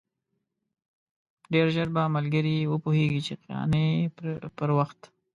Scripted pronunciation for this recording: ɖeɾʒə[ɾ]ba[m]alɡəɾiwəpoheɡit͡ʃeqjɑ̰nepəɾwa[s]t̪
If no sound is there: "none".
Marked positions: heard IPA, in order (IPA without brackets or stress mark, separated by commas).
ɾ, m, x